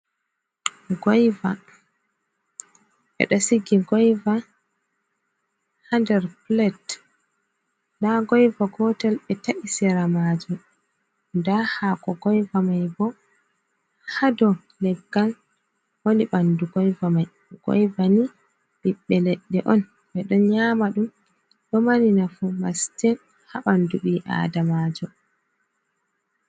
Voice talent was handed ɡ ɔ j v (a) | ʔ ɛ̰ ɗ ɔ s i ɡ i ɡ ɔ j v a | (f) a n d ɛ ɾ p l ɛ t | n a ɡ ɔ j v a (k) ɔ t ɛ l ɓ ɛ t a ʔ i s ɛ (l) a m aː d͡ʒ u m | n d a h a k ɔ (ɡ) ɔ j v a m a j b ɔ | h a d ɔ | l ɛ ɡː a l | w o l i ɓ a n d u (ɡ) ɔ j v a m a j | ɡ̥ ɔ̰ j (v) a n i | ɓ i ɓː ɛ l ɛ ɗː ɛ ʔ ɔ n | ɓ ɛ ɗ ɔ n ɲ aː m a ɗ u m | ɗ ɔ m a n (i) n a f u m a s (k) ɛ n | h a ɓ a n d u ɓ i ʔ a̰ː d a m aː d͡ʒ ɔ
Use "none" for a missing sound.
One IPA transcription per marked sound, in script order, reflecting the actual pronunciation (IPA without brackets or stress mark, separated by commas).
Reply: a, h, ɡ, ɾ, ɡ, ɡ, v, i, t